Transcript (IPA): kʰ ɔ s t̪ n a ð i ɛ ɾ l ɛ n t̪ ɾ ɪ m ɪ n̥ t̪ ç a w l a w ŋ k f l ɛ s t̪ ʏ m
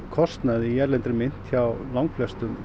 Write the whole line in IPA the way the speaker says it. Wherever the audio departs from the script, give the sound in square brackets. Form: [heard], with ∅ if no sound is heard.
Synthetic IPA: kʰ ɔ s t̪ n a ð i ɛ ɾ l ɛ n t̪ ɾ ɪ m ɪ n̥ t̪ ç a w l a w ŋ k f l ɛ s t̪ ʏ m

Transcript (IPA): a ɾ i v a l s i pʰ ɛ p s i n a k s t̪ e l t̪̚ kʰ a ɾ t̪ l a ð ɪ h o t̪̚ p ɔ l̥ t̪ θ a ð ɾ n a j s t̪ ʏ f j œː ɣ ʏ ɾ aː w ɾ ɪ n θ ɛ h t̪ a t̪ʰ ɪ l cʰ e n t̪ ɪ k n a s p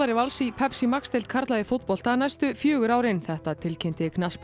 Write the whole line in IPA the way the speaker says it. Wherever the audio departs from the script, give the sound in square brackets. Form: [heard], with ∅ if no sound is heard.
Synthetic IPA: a ɾ [ɪ] v a l s i pʰ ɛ p s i [m] a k s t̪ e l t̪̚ kʰ a ɾ t̪ l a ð ɪ [f] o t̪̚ p ɔ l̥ t̪ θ a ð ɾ n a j s t̪ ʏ f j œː ɣ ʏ ɾ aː w ɾ ɪ n θ ɛ h t̪ a t̪ʰ ɪ l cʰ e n t̪ ɪ k n a s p

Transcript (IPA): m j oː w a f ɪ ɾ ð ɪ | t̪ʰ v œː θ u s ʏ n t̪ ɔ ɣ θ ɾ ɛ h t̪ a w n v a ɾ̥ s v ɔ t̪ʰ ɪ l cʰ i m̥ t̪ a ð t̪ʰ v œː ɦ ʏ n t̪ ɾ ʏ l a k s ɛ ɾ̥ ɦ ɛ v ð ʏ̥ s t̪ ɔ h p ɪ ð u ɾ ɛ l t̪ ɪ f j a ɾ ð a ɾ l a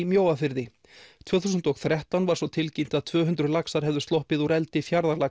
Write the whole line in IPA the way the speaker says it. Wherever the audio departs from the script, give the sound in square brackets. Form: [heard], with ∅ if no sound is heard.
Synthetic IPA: m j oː w a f ɪ ɾ ð ɪ | t̪ʰ v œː θ u s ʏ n t̪ ɔ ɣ θ ɾ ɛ h t̪ a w n v a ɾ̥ s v ɔ t̪ʰ ɪ l [c] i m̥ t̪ a ð t̪ʰ v œː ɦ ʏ n t̪ ɾ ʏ l a k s [a] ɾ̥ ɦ ɛ v ð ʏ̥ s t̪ ɔ h p ɪ ð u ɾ ɛ l t̪ ɪ f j a ɾ ð a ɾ l a

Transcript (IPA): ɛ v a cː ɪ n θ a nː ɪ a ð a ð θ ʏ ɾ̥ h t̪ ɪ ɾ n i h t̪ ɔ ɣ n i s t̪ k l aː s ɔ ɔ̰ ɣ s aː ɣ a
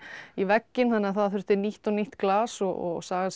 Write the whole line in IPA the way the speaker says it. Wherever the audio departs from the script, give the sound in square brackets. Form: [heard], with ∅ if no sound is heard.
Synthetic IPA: [i] v [ɛ] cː ɪ n θ a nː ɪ a [θ] a ð θ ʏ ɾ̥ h t̪ ɪ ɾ n i h t̪ ɔ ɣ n i [h] t̪ k l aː s ɔ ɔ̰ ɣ s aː ɣ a

